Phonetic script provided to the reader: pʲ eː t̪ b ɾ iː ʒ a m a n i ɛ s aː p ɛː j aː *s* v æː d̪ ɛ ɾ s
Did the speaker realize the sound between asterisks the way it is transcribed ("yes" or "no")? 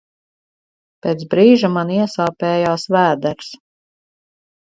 yes